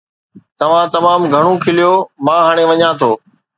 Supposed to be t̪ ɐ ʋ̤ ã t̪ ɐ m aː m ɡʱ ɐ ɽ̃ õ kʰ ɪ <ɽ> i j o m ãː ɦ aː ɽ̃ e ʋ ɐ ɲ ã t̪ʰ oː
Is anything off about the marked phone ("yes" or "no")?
yes